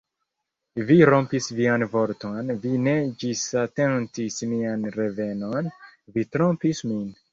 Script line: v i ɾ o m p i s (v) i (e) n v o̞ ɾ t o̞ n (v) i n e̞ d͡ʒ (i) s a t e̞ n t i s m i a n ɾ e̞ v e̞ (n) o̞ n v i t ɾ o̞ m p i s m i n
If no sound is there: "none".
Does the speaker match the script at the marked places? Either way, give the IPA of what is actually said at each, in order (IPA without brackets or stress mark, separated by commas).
v, a, v, i, n